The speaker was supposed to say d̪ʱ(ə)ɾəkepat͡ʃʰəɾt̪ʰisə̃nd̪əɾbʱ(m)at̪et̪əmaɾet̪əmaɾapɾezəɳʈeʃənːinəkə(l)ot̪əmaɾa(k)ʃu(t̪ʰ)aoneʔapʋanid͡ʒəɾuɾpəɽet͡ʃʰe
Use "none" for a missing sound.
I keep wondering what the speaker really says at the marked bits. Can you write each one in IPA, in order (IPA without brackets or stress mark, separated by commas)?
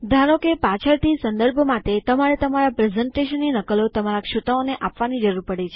a, m, l, k, t̪